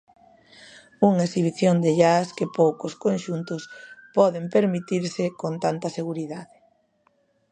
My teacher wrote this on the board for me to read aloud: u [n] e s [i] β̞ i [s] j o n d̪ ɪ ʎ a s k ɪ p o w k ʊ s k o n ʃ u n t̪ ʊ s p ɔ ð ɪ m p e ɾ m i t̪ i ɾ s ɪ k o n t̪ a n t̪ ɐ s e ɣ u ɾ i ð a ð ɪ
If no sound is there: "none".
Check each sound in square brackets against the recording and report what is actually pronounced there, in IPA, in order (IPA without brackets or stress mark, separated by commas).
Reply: ŋ, i, θ